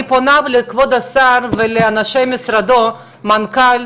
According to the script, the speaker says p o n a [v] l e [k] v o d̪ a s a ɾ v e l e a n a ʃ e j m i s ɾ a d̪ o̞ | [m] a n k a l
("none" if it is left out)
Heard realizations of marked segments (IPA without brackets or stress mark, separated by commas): v, k, m